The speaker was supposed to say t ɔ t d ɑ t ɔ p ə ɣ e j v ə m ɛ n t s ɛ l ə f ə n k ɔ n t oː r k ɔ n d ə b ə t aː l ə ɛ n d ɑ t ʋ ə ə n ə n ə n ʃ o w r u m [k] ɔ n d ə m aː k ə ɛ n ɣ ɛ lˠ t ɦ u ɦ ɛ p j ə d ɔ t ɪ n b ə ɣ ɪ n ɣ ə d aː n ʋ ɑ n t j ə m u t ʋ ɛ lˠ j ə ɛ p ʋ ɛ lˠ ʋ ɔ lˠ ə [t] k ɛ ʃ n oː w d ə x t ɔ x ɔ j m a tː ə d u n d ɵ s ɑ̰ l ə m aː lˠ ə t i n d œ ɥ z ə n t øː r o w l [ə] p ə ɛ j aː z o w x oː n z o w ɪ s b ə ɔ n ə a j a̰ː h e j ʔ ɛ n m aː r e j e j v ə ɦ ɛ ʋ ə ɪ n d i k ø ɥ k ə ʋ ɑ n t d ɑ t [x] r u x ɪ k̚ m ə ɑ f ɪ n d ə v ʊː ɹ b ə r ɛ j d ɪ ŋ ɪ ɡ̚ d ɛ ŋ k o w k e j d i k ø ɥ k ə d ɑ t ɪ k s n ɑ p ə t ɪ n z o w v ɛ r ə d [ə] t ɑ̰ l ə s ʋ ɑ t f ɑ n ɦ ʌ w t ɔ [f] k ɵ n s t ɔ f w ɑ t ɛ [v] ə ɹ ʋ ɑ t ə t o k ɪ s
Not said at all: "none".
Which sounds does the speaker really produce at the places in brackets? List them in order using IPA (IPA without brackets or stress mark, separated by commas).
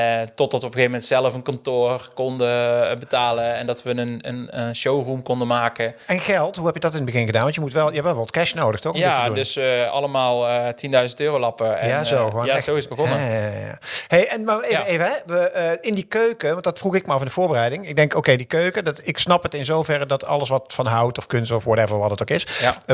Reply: k, t, ɑ, f, ɑ, f, v